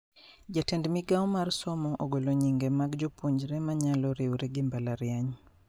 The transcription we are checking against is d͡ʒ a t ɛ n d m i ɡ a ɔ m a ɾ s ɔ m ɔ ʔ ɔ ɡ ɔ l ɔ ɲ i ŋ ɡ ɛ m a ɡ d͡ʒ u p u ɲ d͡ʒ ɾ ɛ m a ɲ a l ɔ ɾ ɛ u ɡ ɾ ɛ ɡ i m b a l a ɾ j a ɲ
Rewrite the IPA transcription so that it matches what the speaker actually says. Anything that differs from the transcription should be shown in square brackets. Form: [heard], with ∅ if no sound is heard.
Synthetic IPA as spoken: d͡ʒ a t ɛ n d m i ɡ a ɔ m a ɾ s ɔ m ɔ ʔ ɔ ɡ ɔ l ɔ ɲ i ŋ ɡ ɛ m a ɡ d͡ʒ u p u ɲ d͡ʒ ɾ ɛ m a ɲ a l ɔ ɾ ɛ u [∅] ɾ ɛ ɡ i m b a l a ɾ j a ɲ

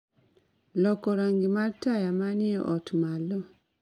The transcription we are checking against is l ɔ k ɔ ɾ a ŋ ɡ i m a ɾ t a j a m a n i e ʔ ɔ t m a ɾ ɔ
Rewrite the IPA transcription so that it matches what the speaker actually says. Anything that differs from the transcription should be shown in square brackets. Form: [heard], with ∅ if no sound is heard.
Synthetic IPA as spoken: l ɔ k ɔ ɾ a ŋ ɡ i m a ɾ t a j a m a n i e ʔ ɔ t m a [l] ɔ

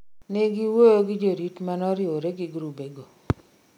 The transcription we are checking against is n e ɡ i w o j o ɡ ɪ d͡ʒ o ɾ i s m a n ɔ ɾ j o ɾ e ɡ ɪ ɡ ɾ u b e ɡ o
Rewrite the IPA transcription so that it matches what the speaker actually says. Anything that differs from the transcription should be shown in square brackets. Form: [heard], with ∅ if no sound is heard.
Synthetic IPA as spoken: n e ɡ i w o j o ɡ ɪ d͡ʒ o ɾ i [t] m a n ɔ ɾ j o ɾ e ɡ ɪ ɡ ɾ u b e ɡ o

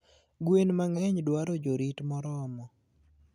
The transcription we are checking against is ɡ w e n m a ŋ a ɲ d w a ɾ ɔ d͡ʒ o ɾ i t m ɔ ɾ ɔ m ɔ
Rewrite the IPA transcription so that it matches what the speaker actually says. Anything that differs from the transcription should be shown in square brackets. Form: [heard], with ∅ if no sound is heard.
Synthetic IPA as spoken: ɡ w e n m a ŋ [ɛ] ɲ d w a ɾ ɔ d͡ʒ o ɾ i t m ɔ ɾ ɔ m ɔ

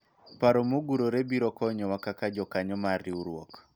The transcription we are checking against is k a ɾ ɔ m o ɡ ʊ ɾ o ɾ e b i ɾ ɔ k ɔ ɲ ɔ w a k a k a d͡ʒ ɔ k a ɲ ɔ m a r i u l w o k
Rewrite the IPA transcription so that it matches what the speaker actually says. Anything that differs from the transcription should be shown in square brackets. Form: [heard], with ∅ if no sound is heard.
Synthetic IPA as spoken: [p] a ɾ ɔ m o ɡ [u] ɾ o ɾ e b i ɾ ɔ k ɔ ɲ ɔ w a k a k a d͡ʒ ɔ k a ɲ ɔ m a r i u [ɾ] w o k

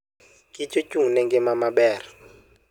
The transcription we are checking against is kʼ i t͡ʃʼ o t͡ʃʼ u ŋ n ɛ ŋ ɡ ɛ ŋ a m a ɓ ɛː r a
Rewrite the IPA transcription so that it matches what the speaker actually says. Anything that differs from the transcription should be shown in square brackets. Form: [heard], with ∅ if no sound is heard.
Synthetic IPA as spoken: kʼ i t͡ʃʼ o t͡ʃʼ u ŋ n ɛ ŋ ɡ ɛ [m] a m a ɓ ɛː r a

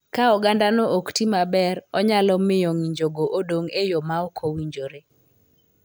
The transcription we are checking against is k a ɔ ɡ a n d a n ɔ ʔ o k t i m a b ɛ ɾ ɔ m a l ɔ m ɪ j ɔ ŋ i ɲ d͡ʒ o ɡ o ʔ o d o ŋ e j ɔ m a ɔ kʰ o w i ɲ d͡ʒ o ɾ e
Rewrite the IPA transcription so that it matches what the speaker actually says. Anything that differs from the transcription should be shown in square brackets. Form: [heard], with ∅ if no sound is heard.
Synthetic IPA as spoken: k a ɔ ɡ a n d a n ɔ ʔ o k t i m a b ɛ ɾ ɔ [ɲ] a l ɔ m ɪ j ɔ ŋ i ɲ d͡ʒ o ɡ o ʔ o d o ŋ e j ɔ m a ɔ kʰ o w i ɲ d͡ʒ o ɾ e

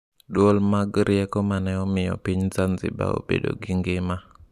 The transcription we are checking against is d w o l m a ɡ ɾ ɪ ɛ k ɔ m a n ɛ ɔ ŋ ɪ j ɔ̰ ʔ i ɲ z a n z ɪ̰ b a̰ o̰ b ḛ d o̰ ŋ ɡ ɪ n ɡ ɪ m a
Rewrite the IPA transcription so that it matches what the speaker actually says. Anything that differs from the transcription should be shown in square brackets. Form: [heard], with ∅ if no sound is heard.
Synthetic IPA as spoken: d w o l m a ɡ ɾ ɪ ɛ k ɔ m a n ɛ ɔ [m] ɪ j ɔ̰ [p] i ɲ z a n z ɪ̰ b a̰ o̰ b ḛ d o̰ [∅] ɡ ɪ [ŋ] ɡ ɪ m a

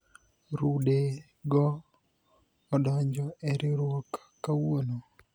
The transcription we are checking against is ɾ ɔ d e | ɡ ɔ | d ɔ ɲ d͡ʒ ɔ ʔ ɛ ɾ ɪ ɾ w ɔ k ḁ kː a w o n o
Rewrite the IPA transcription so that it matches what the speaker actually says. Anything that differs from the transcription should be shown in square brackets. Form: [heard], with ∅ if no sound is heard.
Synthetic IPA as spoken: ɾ [u] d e | ɡ ɔ | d ɔ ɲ d͡ʒ ɔ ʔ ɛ ɾ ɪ ɾ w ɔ k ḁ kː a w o n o

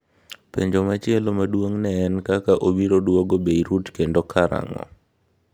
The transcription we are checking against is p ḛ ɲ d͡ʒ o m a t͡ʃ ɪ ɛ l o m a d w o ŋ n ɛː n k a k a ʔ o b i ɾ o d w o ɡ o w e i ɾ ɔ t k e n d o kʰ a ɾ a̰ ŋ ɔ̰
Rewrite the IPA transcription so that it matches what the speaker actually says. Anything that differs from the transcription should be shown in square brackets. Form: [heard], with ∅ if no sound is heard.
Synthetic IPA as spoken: p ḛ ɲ d͡ʒ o m a t͡ʃ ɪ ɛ l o m a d w o ŋ n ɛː n k a k a ʔ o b i ɾ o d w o ɡ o [b] e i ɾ [u] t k e n d o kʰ a ɾ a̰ ŋ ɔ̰

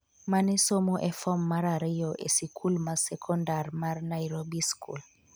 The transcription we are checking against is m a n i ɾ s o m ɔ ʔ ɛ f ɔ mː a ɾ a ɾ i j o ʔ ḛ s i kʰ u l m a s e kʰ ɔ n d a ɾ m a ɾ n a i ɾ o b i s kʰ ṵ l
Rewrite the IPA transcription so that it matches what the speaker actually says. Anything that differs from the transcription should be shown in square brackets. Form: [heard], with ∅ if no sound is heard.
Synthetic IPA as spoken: m a n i [∅] s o m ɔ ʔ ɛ f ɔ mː a ɾ a ɾ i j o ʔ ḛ s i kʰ u l m a s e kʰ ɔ n d a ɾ m a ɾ n a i ɾ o b i s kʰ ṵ l

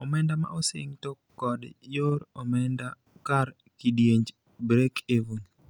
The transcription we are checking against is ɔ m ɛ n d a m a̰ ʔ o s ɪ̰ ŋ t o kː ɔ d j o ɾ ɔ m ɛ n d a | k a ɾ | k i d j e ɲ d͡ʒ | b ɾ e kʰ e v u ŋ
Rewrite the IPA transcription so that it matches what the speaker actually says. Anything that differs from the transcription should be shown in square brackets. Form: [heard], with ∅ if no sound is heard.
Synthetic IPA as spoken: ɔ m ɛ n d a m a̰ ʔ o s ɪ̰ ŋ t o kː ɔ d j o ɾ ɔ m ɛ n d a | k a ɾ | k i d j e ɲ d͡ʒ | b ɾ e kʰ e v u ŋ

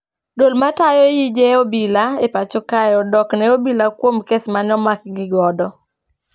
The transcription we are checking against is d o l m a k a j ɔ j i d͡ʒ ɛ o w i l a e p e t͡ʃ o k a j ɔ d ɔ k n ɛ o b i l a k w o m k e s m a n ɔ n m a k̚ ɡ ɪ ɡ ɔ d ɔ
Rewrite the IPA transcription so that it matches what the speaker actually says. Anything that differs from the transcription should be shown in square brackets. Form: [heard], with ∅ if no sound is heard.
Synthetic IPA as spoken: d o l m a [t] a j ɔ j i d͡ʒ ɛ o [b] i l a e p [a] t͡ʃ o k a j ɔ d ɔ k n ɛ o b i l a k w o m k e s m a n ɔ [∅] m a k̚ ɡ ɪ ɡ ɔ d ɔ

